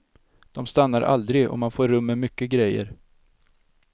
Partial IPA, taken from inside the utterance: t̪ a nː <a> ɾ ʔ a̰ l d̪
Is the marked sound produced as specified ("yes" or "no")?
yes